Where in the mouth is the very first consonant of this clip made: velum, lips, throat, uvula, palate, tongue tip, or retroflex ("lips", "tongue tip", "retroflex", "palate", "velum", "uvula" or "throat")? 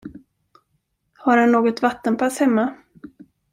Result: throat